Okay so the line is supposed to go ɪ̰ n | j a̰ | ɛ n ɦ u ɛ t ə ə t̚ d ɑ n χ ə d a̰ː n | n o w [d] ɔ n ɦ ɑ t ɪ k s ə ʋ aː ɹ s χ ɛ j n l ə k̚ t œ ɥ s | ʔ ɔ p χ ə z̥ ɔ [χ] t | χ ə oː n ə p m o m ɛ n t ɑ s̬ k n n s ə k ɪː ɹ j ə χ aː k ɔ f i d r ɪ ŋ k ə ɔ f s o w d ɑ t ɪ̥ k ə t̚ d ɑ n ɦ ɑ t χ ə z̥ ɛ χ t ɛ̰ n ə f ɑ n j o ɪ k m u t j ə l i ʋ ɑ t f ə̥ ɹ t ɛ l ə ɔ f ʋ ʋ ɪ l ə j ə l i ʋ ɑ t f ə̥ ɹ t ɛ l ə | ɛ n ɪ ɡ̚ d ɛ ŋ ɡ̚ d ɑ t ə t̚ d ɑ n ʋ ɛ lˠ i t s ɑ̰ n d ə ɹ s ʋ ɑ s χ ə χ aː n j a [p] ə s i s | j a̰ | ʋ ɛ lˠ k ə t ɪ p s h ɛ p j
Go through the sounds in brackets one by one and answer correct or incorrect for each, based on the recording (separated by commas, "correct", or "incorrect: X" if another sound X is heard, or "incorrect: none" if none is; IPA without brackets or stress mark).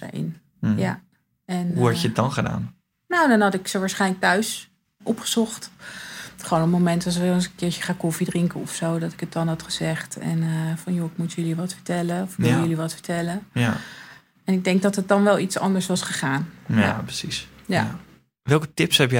correct, correct, correct